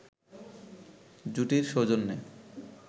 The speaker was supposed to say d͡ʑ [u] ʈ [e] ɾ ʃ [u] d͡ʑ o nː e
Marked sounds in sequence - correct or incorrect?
correct, incorrect: i, incorrect: o

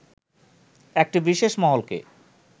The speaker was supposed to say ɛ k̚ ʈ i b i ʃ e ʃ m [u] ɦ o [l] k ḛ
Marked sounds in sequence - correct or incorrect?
incorrect: ɔ, correct

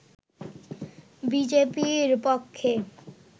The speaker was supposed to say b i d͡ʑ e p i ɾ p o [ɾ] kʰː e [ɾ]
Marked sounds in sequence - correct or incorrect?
incorrect: none, incorrect: none

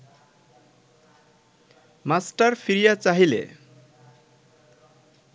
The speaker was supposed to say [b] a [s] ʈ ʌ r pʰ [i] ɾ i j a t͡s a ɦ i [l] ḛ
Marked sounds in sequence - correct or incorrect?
incorrect: m, correct, correct, correct

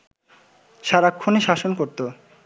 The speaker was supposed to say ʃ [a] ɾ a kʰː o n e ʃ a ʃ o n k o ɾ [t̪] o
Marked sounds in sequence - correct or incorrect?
correct, correct

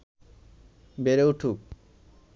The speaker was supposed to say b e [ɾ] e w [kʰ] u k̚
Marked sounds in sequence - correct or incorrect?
correct, incorrect: ʈʰ

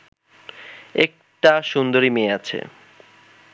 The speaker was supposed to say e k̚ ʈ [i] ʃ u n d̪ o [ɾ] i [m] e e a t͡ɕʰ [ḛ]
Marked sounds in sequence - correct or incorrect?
incorrect: a, correct, correct, correct

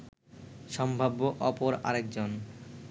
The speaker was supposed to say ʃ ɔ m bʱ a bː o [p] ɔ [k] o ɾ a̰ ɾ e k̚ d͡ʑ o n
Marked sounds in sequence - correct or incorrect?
incorrect: ʔ, incorrect: p

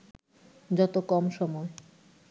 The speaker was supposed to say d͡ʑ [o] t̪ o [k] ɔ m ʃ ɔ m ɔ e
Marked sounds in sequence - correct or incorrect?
incorrect: ɔ, correct

